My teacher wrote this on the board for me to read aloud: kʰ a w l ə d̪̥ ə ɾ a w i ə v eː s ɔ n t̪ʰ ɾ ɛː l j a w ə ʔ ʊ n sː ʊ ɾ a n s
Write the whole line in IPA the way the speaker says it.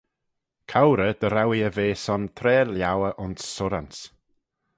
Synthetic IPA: kʰ a w ɾ ə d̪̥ ə ɾ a w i ə v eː s ɔ n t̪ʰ ɾ ɛː l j a w ə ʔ ʊ n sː ʊ ɾ a n s

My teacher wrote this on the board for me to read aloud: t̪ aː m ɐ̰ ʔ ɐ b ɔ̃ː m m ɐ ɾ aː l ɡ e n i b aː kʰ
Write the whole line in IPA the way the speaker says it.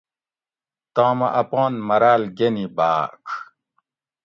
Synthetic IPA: t̪ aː m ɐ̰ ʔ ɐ p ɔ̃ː n m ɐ ɾ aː l ɡ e n i b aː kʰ

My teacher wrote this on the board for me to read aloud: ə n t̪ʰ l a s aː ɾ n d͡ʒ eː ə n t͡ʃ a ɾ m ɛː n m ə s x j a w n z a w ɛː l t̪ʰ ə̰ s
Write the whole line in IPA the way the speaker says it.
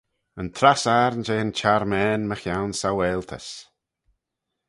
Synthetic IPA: ə n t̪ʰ ɾ a s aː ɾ n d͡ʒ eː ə n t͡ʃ a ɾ m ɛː n m ə x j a w n s a w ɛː l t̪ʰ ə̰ s

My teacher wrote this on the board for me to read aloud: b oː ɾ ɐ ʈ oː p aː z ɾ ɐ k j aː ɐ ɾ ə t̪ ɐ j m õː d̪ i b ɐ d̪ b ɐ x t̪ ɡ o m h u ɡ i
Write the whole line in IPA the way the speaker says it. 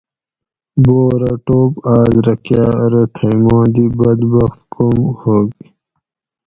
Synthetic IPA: b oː ɾ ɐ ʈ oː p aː z ɾ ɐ k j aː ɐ ɾ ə t̪ʰ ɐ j m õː d̪ i b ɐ d̪ b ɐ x t̪ k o m h o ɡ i

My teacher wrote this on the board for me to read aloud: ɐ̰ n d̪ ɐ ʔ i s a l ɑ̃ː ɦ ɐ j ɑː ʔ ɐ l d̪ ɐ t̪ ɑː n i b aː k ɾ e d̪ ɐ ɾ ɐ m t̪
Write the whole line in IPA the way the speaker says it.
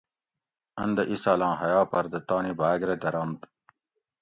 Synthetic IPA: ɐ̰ n d̪ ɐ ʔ i s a l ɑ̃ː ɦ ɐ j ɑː p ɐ ɾ d̪ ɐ t̪ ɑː n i b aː ɡ ɾ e d̪ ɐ ɾ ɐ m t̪

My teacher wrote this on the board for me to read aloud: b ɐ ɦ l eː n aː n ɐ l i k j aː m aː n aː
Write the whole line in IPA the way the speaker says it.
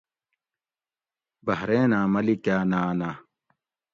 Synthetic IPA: b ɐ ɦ ɾ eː n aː m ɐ l i k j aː n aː n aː

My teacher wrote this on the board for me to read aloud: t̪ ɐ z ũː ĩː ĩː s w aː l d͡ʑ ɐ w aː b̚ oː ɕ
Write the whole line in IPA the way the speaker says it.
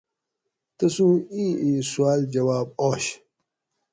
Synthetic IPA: t̪ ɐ s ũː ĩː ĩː s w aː l d͡ʑ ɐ w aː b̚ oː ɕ

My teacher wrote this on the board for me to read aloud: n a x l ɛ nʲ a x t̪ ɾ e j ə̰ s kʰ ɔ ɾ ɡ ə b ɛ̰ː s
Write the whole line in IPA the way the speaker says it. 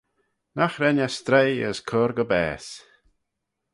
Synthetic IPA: n a x ɾ ɛ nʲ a s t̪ ɾ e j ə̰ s kʰ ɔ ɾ ɡ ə b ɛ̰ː s

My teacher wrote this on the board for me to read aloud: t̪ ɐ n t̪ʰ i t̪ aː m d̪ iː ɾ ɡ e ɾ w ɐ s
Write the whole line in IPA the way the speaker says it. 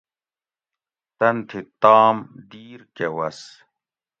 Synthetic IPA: t̪ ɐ n t̪ʰ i t̪ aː m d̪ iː ɾ k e w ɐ s

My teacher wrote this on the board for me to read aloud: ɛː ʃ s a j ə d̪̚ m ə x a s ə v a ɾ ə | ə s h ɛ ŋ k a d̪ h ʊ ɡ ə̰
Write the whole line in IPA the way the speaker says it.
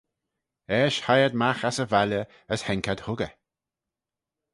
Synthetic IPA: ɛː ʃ h a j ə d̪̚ m a x a s ə v a l ə | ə s h ɛ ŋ k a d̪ h ʊ ɡ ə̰

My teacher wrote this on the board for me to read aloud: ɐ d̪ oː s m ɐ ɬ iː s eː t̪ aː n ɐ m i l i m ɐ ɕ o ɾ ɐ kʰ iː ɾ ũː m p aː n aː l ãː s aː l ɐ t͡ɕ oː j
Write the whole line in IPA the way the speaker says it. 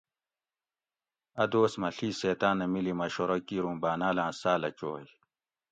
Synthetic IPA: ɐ d̪ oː s m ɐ ɬ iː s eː t̪ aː n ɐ m i l i m ɐ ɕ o ɾ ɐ k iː ɾ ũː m b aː n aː l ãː s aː l ɐ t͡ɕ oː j

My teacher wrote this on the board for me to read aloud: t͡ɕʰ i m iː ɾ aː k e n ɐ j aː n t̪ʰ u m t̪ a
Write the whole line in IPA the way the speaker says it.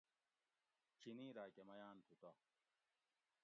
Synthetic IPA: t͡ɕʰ i n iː ɾ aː k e m ɐ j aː n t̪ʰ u t̪ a

